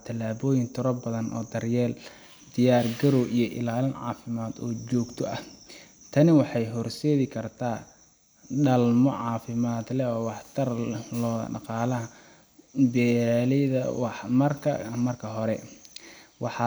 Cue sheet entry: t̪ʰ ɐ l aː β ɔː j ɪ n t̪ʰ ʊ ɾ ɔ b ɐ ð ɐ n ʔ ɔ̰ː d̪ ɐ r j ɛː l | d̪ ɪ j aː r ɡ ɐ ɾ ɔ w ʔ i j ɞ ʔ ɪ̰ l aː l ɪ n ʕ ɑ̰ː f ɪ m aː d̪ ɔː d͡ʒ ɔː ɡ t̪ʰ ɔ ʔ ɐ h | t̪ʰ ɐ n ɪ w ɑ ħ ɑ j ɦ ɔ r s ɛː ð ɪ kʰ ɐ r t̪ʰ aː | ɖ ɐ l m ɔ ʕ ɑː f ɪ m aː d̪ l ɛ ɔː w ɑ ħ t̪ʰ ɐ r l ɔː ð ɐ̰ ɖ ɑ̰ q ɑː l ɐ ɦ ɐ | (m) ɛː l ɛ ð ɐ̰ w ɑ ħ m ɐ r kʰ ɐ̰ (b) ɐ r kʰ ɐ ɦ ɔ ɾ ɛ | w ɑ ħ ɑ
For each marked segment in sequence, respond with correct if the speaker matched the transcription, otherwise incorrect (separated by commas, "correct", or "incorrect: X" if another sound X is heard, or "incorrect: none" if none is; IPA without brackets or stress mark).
incorrect: b, incorrect: m